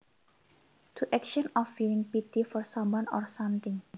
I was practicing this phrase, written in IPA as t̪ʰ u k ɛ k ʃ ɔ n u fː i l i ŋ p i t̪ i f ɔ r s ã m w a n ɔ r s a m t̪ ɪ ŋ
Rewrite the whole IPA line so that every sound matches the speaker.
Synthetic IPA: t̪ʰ u ʔ ɛ k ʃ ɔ n ɔ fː i l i ŋ p i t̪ i f ɔ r s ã m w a n ɔ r s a m t̪ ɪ ŋ